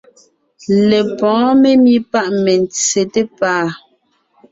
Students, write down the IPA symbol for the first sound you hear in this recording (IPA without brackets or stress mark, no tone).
l